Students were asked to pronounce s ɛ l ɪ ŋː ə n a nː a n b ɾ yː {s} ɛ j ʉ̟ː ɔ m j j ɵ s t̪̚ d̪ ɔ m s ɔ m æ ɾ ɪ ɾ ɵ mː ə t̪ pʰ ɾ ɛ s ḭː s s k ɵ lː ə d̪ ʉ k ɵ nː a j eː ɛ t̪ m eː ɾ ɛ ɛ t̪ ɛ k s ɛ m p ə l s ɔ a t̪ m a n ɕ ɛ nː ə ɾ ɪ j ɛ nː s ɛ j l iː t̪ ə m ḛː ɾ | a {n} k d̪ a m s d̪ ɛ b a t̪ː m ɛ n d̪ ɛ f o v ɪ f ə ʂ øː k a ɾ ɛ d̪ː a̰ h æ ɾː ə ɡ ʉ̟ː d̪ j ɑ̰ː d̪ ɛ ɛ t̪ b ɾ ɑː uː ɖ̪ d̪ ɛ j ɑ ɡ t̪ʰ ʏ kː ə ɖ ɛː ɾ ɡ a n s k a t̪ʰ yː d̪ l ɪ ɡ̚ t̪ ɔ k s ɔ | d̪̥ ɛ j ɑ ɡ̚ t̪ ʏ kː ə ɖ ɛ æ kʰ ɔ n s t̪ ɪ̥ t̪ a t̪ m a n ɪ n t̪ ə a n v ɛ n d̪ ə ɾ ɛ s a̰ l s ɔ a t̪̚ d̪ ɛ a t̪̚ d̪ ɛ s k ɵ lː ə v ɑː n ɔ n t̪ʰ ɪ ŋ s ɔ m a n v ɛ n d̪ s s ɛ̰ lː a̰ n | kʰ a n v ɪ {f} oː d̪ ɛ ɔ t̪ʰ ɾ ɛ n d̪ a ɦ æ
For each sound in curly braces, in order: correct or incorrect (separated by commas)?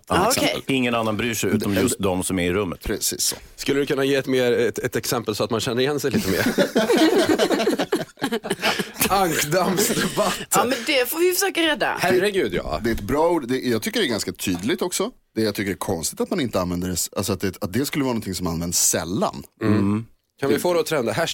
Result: incorrect, incorrect, correct